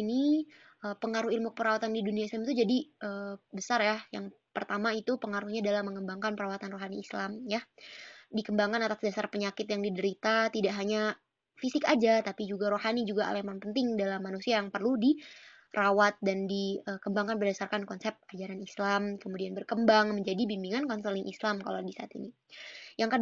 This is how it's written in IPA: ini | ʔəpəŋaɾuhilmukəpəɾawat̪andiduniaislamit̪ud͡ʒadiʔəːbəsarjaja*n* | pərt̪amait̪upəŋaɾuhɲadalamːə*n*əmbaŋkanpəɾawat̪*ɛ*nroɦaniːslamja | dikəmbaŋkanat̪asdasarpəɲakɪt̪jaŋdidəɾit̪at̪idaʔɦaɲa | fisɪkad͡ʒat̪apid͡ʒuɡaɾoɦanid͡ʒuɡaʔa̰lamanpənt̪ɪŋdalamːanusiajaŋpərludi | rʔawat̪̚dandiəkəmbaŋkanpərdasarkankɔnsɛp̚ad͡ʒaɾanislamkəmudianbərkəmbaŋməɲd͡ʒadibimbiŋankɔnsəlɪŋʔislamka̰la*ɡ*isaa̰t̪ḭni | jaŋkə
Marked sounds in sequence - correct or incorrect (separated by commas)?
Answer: incorrect, incorrect, incorrect, incorrect